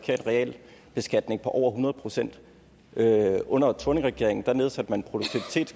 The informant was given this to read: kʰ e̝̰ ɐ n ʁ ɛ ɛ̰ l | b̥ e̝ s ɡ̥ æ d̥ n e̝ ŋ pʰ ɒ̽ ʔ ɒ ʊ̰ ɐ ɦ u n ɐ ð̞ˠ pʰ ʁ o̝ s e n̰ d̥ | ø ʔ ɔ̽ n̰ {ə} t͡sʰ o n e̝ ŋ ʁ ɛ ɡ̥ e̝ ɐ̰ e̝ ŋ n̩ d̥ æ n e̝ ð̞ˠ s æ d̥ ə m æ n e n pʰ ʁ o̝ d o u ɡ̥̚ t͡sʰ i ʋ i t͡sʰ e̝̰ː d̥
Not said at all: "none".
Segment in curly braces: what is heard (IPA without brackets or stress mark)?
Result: ɐ